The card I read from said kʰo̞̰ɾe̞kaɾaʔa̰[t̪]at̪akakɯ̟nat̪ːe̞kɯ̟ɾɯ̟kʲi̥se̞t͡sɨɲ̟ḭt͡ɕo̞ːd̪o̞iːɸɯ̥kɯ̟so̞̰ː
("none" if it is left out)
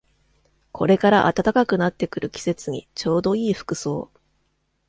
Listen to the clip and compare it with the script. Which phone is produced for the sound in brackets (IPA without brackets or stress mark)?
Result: t̪